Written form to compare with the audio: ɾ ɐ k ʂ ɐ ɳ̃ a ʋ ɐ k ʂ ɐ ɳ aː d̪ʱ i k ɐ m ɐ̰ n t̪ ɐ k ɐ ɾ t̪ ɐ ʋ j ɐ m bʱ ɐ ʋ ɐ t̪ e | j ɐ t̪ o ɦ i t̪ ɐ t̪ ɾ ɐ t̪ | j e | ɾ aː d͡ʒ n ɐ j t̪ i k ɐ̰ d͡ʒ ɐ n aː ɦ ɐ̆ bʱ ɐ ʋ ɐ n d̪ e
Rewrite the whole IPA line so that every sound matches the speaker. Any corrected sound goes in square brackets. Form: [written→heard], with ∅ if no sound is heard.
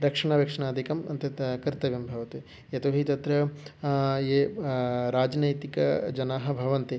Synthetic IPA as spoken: ɾ ɐ k ʂ ɐ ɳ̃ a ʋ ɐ k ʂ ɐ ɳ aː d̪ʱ i k ɐ m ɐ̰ n t̪ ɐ k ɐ ɾ t̪ ɐ ʋ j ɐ m bʱ ɐ ʋ ɐ t̪ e | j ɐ t̪ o ɦ i t̪ ɐ t̪ ɾ ɐ [t̪→∅] | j e | ɾ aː d͡ʒ n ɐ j t̪ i k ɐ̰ d͡ʒ ɐ n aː ɦ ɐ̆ bʱ ɐ ʋ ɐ n [d̪→t̪] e